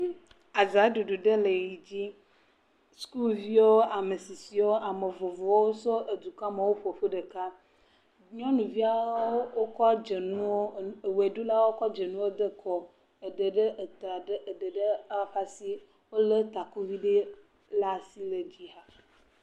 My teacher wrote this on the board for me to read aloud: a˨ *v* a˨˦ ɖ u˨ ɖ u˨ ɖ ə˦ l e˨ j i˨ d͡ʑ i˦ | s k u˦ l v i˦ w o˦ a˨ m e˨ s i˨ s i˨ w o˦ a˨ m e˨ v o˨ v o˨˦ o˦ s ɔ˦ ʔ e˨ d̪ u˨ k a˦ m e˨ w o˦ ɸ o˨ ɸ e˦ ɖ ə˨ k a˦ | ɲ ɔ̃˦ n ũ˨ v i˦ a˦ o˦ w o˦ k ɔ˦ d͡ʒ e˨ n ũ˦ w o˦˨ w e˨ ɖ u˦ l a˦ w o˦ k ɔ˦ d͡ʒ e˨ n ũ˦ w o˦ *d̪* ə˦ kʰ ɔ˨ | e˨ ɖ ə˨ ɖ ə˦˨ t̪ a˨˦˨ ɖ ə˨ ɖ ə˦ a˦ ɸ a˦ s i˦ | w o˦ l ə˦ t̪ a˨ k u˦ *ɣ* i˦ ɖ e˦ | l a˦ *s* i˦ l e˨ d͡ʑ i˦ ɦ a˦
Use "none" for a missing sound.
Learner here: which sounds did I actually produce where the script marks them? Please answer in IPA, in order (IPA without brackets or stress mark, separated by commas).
z, d̪, v, s